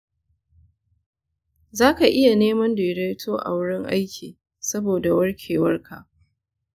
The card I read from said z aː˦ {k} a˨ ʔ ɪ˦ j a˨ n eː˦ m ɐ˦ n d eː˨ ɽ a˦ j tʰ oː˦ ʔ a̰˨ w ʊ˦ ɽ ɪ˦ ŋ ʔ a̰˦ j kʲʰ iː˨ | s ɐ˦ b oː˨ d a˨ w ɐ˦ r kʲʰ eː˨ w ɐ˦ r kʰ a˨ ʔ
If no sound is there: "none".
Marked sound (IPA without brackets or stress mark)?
k